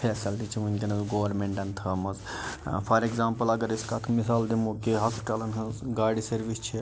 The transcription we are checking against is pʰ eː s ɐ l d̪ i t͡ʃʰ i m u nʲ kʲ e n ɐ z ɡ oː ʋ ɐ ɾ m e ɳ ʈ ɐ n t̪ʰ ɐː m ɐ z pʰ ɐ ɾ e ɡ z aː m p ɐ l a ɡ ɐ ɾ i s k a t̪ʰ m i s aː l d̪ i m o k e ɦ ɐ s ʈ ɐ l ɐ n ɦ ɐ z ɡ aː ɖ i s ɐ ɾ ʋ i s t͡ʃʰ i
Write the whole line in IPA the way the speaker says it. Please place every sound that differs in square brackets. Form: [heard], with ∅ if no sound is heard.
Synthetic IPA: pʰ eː s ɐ l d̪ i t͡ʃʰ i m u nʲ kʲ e n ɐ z ɡ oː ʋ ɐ ɾ m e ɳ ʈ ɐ n t̪ʰ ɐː m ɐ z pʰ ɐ ɾ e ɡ z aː m p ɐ l [ɐ] ɡ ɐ ɾ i s k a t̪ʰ m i s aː l d̪ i m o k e ɦ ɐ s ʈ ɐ l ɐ n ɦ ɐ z ɡ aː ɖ i s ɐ ɾ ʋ i s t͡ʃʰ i